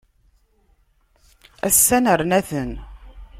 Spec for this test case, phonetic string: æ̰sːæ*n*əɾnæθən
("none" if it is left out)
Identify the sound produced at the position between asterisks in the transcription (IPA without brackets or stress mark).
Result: n